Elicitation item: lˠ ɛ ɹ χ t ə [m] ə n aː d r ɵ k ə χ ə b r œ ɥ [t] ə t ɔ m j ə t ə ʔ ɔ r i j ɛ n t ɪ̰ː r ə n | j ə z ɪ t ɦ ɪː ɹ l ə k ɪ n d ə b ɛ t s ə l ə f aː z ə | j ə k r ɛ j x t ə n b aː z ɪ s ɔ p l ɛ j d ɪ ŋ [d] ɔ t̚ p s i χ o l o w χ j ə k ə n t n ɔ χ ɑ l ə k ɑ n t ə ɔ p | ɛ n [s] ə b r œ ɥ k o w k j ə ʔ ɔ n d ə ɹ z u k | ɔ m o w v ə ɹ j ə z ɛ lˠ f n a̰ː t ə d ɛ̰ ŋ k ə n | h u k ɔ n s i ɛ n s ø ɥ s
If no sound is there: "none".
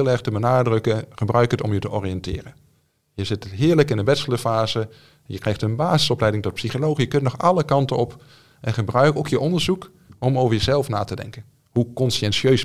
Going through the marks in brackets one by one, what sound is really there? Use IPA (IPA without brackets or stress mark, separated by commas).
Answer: b, k, t, χ